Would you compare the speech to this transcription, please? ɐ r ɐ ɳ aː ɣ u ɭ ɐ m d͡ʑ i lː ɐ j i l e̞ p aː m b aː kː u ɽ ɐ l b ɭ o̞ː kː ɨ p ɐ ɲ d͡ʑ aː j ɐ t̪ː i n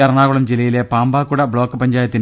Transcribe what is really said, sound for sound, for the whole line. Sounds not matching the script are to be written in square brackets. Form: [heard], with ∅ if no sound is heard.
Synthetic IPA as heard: ɐ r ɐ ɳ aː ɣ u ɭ ɐ m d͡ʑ i [l] ɐ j i l e̞ p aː m b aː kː u ɽ ɐ [∅] b ɭ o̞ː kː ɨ p ɐ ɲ d͡ʑ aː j ɐ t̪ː i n